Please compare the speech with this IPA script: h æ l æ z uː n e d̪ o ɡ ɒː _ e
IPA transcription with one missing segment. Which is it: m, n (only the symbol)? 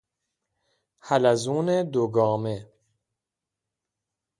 m